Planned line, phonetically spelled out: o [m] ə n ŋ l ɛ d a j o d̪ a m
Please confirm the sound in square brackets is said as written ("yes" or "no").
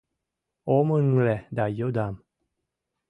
yes